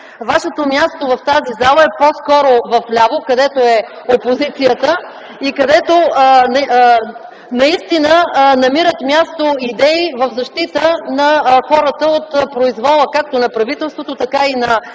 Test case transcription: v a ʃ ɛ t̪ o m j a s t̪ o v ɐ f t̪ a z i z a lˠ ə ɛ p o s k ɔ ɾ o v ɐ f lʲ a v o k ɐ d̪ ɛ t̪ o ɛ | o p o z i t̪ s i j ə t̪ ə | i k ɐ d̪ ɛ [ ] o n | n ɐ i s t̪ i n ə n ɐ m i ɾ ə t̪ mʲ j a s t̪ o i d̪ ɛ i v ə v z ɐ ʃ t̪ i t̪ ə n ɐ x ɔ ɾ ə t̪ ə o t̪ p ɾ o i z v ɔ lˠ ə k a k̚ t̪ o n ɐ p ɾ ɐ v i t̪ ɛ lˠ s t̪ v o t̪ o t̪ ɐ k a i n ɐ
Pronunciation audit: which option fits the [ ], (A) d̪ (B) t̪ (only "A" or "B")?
B